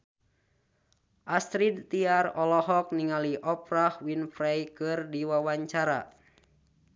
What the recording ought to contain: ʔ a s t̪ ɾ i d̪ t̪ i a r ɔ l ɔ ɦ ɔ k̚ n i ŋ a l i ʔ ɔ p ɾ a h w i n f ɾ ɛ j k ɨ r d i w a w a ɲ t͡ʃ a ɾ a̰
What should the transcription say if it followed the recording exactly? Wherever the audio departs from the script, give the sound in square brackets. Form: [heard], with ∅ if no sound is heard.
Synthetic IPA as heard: ʔ a s t̪ ɾ i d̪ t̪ i a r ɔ l ɔ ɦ ɔ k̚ n i ŋ a l i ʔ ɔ p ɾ a h w i n f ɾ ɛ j k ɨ r d i w a w a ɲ t͡ʃ a ɾ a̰